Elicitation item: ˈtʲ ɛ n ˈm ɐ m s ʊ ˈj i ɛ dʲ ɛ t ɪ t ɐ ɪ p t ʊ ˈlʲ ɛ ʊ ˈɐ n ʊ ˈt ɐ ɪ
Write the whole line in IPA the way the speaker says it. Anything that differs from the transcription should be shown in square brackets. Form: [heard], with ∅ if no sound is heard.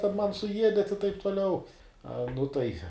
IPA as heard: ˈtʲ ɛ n ˈm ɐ [n] s ʊ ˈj i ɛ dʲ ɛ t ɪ t ɐ ɪ p t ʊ ˈlʲ ɛ ʊ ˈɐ n ʊ ˈt ɐ ɪ